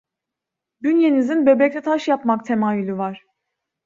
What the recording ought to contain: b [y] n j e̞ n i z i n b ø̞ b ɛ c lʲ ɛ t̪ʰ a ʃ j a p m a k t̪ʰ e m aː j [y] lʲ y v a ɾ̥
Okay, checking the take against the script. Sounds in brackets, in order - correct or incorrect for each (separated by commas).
correct, correct